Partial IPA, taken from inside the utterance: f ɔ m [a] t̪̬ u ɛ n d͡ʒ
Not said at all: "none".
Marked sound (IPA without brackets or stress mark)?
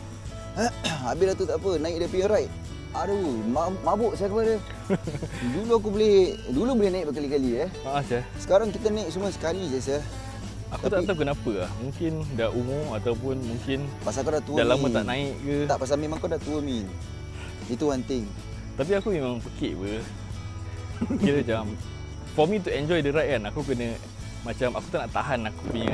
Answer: i